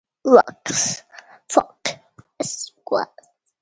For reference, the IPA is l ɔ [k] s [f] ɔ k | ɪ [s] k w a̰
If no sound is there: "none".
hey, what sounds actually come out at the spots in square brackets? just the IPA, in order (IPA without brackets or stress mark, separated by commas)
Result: k, f, s